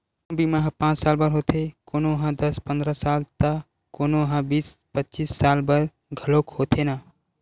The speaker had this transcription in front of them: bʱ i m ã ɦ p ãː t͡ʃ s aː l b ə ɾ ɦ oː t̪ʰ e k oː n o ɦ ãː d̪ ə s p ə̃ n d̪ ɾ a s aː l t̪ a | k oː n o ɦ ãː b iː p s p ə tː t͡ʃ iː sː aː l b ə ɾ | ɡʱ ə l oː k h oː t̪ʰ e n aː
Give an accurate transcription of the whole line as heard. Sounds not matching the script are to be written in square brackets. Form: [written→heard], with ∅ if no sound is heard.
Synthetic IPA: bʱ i m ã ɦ p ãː t͡ʃ s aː l b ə ɾ ɦ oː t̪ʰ e k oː n o ɦ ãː d̪ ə s p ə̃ n d̪ ɾ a s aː l t̪ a | k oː n o ɦ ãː b iː [p→∅] s p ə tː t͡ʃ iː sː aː l b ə ɾ | ɡʱ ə l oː k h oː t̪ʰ e n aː